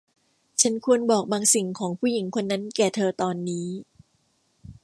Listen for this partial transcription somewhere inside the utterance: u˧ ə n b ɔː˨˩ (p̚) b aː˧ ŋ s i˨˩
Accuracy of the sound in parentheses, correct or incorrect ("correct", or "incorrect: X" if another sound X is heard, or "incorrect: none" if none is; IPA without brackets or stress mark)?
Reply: incorrect: k̚